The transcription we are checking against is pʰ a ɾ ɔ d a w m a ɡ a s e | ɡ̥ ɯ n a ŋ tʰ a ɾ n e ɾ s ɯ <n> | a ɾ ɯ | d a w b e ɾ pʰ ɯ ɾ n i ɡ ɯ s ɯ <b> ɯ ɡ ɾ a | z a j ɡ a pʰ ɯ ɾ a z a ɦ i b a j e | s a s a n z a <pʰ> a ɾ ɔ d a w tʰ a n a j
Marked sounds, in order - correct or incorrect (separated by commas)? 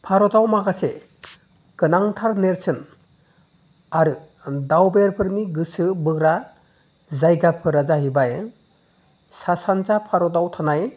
correct, correct, correct